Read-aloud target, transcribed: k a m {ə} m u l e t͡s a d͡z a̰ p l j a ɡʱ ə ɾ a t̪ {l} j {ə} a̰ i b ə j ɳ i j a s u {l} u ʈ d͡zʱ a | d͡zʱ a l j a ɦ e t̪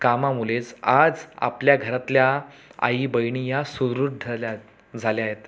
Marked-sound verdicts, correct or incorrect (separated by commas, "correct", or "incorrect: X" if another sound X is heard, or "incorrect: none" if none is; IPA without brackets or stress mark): incorrect: a, correct, incorrect: a, incorrect: ɾ